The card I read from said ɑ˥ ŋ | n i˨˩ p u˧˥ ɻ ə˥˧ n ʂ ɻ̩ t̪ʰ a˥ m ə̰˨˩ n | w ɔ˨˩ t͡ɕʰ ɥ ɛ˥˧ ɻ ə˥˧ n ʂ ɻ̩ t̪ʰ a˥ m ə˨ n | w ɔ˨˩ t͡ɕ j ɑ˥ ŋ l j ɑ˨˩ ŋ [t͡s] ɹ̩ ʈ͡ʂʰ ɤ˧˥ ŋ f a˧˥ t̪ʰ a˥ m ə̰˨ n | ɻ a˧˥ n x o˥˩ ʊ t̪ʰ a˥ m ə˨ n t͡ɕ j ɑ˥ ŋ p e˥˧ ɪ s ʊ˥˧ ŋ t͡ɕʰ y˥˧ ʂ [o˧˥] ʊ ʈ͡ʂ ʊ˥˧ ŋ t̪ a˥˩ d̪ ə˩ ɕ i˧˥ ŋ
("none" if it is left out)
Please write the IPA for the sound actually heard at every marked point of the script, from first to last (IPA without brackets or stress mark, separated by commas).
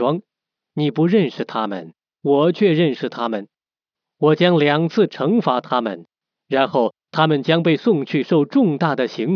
t͡sʰ, o˥˧